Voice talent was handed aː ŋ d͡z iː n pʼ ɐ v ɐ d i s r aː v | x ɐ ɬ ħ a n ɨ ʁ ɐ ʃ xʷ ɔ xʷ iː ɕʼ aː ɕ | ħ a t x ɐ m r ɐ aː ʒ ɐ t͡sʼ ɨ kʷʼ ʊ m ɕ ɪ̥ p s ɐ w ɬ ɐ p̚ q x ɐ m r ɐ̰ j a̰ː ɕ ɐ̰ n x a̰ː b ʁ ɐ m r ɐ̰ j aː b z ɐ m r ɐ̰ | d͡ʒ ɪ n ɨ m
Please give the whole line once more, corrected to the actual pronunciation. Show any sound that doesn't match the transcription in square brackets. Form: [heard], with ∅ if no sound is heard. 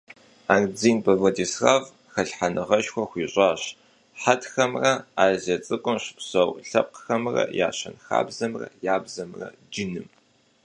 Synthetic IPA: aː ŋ d͡z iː n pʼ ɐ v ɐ d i s r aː v | x ɐ ɬ ħ a n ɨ ʁ ɐ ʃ xʷ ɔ xʷ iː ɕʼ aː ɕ | ħ a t x ɐ m r ɐ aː [z] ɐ t͡sʼ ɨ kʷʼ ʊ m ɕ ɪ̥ p s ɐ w ɬ ɐ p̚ q x ɐ m r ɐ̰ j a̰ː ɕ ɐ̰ n x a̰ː b [z] ɐ m r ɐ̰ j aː b z ɐ m r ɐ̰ | d͡ʒ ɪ n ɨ m